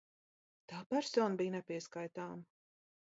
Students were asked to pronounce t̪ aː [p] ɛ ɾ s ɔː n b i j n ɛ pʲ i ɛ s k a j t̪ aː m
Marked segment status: correct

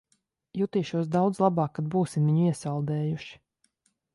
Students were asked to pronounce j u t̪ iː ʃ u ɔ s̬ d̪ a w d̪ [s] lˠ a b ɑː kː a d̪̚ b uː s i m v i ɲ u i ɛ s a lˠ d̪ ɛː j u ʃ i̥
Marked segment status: incorrect: z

